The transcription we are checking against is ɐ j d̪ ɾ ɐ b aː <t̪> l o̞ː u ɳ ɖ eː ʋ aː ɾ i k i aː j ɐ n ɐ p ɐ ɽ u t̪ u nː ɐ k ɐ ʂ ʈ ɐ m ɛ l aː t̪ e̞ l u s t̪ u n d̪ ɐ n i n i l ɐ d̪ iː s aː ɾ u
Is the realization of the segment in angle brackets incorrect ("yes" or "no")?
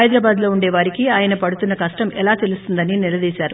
yes